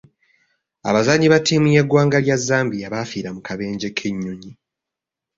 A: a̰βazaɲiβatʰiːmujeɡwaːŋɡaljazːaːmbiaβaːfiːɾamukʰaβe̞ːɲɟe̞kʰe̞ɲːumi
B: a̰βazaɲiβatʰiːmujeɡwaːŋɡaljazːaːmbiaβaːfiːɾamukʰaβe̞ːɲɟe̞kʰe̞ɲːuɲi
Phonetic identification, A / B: B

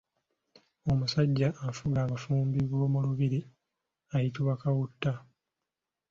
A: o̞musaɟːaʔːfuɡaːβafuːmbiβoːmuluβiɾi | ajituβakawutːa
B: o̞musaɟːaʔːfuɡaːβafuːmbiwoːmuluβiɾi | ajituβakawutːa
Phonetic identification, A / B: A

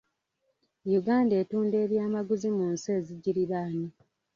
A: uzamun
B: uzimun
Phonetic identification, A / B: B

